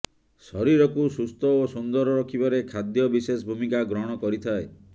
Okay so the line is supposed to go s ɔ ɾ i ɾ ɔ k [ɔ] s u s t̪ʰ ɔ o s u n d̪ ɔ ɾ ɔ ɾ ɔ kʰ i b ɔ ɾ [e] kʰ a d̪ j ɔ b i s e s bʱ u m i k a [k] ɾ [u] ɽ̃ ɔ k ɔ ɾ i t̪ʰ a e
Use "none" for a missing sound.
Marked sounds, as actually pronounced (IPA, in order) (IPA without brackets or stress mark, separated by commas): u, e, ɡ, ɔ